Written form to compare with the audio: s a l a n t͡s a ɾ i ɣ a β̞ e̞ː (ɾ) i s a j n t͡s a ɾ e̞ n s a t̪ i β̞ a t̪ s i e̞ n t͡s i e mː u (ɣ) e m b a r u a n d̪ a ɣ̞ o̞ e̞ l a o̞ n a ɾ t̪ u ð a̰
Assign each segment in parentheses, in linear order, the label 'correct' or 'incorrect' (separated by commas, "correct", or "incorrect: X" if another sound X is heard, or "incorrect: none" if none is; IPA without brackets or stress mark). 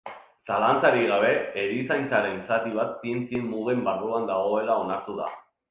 correct, correct